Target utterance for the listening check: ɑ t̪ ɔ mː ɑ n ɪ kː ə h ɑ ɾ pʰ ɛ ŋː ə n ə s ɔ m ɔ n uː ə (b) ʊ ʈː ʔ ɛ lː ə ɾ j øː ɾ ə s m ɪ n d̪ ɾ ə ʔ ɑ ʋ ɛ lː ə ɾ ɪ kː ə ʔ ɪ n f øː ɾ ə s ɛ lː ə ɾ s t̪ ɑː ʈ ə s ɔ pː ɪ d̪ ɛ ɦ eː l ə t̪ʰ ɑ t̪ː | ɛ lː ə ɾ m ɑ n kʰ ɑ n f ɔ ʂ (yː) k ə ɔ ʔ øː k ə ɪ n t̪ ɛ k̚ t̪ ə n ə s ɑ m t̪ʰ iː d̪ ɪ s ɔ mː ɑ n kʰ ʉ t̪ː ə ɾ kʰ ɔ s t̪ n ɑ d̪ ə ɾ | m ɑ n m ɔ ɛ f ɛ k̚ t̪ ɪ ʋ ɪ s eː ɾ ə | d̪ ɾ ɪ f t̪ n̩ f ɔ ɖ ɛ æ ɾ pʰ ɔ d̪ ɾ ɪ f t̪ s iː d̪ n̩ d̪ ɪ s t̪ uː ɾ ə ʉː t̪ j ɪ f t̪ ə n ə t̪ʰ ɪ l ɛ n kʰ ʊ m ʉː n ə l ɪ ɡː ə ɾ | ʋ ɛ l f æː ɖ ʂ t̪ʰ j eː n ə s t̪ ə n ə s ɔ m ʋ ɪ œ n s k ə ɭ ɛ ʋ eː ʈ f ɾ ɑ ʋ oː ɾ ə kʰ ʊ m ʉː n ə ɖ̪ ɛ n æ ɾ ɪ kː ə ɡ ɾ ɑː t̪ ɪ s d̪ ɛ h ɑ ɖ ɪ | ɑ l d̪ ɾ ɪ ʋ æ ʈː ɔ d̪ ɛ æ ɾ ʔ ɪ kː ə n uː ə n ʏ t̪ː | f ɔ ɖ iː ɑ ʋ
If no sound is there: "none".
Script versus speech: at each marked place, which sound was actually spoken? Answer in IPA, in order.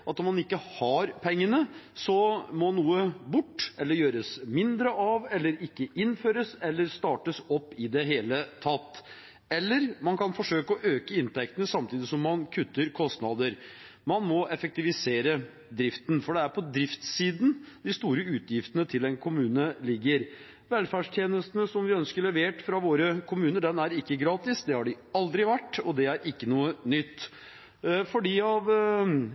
b, øː

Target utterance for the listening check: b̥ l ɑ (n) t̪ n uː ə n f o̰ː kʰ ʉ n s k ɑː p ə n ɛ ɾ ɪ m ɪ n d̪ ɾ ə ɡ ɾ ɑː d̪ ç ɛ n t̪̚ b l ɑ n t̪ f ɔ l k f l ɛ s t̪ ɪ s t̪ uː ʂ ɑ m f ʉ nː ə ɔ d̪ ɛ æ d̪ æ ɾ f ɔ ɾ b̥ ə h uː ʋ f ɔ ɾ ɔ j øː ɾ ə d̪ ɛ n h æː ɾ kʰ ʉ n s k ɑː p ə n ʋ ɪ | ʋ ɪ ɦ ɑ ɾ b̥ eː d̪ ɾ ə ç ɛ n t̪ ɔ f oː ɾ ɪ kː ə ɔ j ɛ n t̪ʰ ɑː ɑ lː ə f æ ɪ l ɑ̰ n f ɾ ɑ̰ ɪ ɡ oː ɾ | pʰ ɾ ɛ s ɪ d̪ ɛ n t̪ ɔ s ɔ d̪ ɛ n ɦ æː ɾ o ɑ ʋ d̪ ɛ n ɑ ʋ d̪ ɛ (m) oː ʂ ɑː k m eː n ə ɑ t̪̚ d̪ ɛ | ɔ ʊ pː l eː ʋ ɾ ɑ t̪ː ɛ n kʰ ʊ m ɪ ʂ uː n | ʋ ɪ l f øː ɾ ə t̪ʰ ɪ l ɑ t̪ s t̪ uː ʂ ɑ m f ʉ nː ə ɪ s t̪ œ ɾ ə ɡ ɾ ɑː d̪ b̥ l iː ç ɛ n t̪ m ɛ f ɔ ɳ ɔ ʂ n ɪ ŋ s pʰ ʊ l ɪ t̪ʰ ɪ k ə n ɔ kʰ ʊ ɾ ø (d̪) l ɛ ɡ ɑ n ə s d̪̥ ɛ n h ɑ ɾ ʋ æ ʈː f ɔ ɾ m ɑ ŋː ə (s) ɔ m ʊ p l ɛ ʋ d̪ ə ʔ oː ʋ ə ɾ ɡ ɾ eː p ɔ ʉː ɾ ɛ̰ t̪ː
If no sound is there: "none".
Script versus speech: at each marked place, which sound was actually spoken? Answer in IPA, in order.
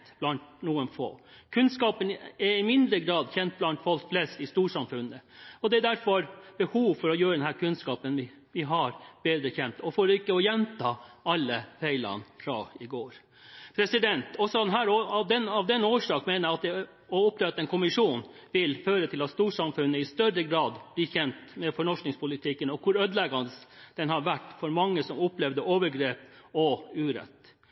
n, n, d̪, s

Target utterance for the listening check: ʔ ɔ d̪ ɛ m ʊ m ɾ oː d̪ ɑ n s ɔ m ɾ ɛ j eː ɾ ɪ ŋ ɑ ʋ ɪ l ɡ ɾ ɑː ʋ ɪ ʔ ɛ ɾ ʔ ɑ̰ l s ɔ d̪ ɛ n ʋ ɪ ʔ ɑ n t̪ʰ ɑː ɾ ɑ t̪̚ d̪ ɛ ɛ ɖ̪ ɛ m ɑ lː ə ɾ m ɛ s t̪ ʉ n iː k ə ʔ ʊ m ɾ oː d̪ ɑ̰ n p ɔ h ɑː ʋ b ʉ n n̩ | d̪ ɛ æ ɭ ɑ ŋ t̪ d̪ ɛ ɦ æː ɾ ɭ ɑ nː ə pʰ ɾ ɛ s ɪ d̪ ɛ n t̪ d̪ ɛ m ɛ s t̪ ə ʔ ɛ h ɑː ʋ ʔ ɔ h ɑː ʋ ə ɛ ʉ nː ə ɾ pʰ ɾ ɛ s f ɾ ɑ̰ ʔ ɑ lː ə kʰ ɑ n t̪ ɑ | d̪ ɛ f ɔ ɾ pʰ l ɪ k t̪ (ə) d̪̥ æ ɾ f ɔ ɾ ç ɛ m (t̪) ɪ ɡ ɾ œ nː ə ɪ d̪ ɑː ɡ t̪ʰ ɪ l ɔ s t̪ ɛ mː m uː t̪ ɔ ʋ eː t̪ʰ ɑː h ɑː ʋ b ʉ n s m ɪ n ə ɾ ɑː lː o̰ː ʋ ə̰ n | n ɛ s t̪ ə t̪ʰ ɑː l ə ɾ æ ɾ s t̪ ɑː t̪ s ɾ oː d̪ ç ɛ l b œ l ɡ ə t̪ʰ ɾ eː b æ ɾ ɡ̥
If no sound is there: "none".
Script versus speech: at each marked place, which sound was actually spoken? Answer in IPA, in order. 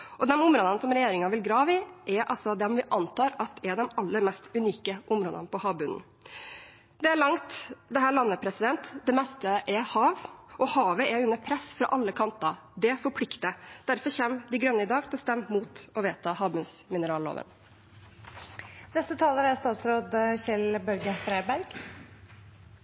ə, d̪

